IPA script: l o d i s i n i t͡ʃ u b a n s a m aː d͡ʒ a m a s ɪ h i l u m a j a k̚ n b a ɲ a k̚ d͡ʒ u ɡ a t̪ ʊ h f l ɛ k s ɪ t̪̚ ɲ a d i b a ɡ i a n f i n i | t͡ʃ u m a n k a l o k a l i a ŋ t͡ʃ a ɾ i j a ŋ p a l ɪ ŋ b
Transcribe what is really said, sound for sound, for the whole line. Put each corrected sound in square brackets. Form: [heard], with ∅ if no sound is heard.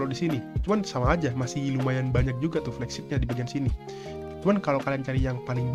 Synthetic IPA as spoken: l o d i s i n i t͡ʃ u [m] a n s a m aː d͡ʒ a m a s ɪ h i l u m a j a [∅] n b a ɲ a k̚ d͡ʒ u ɡ a t̪ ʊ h f l ɛ k s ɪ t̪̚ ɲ a d i b a ɡ i a n [s] i n i | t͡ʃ u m a n k a l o k a l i a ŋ t͡ʃ a ɾ i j a ŋ p a l ɪ ŋ b